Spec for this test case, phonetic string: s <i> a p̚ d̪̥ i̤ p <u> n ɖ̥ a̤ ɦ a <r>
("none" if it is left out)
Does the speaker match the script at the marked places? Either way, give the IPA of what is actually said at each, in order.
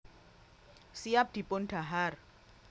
i, ʊ, r

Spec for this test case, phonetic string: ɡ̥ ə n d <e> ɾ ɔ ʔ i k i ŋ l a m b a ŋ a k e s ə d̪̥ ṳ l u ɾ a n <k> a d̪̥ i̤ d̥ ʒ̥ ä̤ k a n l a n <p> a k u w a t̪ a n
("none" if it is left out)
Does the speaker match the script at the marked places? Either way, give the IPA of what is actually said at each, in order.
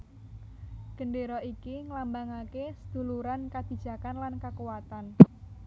e, k, k

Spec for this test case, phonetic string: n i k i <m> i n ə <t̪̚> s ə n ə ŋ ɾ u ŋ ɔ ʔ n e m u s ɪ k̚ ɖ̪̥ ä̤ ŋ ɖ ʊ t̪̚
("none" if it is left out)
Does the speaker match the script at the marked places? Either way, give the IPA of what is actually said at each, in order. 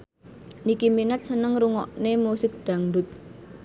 m, t̪̚

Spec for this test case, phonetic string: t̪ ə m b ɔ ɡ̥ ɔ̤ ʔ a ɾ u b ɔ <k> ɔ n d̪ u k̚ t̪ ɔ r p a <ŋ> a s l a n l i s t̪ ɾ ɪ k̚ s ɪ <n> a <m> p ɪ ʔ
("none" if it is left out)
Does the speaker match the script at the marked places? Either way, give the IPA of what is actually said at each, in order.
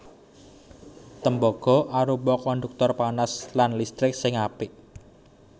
k, n, ŋ, none

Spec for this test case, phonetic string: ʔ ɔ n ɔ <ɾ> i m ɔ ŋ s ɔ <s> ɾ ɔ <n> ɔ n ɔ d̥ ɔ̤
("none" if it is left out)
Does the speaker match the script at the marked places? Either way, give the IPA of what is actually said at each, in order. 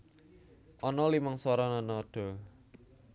l, none, n

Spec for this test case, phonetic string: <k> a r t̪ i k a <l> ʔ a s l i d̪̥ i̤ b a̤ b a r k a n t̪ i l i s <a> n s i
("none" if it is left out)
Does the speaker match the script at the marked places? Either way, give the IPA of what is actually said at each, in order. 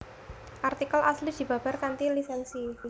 ʔ, l, ɛ

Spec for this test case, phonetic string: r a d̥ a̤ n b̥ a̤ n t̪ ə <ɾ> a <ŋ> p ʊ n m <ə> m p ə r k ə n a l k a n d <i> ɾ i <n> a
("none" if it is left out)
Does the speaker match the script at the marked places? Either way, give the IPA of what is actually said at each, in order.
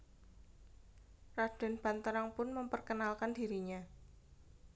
ɾ, ŋ, ə, i, ɲ

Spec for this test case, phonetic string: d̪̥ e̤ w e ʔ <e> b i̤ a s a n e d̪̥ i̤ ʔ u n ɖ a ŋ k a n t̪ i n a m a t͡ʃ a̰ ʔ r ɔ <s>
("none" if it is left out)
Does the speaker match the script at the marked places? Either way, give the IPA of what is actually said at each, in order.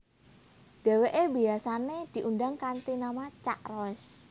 e, s

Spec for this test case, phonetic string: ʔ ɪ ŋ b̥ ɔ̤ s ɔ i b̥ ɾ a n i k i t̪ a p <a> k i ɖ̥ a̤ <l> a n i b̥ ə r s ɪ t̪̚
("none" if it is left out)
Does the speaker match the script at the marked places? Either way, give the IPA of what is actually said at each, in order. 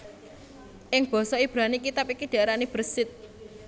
i, ɾ

